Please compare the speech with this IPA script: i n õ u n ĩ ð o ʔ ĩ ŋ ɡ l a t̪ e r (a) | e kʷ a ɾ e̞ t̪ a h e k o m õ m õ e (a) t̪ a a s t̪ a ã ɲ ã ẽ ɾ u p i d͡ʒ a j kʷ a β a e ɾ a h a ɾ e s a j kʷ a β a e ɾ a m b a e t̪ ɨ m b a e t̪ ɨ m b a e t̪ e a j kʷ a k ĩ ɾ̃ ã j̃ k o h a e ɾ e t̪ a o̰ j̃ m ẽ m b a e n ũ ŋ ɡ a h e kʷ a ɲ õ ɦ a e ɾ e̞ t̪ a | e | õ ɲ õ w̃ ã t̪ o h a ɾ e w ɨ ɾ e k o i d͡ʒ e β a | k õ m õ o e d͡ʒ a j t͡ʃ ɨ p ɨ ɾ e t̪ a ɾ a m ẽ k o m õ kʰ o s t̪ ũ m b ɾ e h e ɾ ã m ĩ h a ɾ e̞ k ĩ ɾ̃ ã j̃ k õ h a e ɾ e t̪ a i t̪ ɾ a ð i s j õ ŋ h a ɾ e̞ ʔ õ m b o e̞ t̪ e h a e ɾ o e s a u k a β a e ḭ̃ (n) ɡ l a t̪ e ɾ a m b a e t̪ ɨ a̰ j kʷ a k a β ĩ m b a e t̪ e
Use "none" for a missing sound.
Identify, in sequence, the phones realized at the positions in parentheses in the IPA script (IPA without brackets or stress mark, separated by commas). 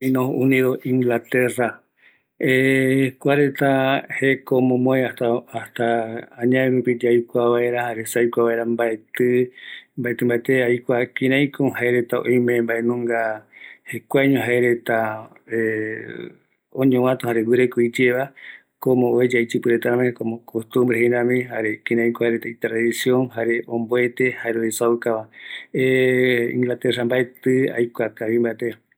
a, a, ŋ